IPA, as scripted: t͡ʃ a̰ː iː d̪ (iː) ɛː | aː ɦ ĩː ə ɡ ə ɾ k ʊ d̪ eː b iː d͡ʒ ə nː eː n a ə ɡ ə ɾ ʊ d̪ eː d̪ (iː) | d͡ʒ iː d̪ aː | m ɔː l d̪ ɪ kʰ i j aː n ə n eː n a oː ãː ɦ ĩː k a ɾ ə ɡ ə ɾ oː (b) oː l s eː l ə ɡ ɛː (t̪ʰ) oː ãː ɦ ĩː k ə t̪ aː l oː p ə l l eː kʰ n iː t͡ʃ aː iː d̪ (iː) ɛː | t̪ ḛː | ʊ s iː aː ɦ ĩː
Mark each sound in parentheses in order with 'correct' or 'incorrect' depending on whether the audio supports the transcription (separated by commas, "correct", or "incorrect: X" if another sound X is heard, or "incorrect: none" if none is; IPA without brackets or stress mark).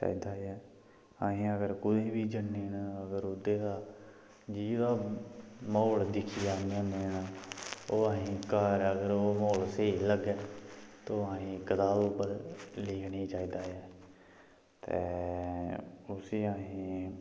incorrect: aː, incorrect: aː, incorrect: m, incorrect: t̪, incorrect: aː